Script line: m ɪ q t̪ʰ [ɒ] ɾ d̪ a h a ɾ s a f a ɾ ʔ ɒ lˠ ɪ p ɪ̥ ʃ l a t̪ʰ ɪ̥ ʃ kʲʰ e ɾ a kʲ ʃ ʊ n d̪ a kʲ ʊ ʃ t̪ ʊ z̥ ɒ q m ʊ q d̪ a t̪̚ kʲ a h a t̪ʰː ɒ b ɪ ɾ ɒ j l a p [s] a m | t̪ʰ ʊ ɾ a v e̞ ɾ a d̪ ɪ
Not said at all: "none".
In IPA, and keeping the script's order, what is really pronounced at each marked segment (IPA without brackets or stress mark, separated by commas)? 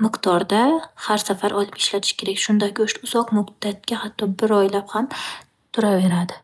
ɒ, h